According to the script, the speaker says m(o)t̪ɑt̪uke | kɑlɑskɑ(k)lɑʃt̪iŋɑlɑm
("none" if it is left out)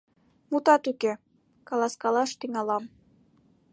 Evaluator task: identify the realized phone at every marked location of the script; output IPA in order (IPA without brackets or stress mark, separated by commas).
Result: u, none